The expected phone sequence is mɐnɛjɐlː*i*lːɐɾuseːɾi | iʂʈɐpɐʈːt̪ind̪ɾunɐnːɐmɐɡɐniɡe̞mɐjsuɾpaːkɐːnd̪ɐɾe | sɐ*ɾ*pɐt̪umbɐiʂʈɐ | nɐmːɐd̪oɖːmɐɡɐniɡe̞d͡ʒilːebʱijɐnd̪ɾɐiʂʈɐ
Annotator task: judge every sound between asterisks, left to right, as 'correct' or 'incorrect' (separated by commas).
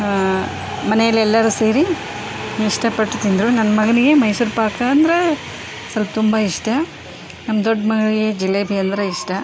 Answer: incorrect, incorrect